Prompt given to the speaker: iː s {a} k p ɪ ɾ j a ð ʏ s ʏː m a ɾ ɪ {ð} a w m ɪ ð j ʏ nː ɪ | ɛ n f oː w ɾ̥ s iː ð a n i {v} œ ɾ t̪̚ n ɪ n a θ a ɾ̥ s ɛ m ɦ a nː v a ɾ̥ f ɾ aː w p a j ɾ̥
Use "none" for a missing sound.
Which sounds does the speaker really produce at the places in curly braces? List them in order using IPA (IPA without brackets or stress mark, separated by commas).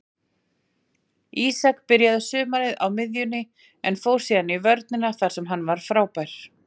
a, ð, v